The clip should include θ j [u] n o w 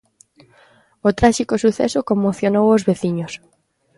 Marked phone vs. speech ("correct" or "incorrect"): incorrect